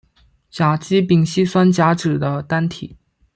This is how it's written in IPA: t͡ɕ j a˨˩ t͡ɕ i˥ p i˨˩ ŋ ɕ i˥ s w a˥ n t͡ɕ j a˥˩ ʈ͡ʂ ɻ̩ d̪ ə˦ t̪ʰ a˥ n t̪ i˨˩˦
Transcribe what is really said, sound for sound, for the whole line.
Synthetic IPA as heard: t͡ɕ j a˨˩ t͡ɕ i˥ p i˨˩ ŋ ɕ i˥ s w a˥ n t͡ɕ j a˧˥ ʈ͡ʂ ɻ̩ d̪ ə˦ t̪ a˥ n t̪ʰ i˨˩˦